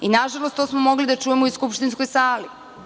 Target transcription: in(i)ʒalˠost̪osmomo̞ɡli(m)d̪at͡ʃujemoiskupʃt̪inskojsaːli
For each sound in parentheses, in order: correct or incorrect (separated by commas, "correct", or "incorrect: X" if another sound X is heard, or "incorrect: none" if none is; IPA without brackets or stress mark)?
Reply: incorrect: a, incorrect: none